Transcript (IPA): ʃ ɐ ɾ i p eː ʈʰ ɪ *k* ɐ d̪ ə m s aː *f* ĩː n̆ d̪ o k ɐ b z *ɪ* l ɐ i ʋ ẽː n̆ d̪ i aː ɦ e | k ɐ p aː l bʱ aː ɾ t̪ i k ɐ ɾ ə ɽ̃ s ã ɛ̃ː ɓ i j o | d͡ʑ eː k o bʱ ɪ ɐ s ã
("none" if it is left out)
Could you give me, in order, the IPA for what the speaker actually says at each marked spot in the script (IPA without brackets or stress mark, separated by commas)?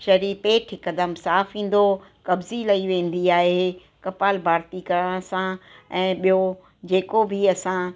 k, f, i